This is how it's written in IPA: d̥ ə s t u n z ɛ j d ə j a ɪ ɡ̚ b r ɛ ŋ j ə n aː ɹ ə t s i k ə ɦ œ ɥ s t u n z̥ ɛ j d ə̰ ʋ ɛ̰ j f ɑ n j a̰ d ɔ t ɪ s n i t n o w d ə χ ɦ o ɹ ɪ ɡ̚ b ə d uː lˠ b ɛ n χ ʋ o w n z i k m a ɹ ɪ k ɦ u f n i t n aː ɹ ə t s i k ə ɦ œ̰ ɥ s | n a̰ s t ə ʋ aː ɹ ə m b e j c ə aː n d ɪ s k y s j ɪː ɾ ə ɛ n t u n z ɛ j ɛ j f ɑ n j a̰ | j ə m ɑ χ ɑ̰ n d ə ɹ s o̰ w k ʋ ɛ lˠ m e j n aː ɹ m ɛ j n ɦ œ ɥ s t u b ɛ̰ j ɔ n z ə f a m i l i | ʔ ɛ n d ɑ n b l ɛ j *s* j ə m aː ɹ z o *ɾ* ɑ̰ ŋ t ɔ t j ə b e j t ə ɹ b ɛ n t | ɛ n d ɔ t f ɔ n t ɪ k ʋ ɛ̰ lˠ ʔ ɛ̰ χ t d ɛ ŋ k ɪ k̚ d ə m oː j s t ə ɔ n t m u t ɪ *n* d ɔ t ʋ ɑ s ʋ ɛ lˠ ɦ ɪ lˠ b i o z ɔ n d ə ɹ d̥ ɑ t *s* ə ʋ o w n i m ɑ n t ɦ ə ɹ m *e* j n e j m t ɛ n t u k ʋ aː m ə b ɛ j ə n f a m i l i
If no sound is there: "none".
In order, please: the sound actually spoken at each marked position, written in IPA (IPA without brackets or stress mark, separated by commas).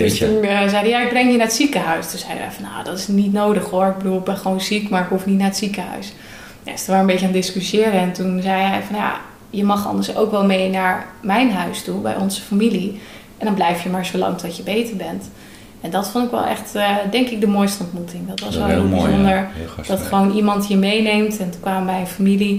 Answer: f, l, ŋ, χ, e